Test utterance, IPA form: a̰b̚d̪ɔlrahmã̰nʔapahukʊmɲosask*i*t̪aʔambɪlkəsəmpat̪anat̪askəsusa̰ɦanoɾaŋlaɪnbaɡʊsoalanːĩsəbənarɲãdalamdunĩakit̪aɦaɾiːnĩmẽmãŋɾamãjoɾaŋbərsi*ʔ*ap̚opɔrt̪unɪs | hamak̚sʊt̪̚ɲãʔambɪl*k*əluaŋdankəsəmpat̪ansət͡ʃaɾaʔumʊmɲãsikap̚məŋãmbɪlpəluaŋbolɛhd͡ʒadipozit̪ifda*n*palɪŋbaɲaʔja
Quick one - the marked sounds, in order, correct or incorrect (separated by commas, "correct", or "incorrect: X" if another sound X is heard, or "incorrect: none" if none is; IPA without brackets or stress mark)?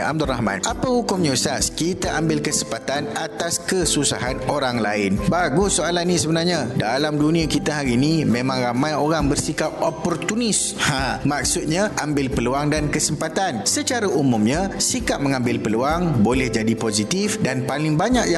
correct, incorrect: k, incorrect: p, correct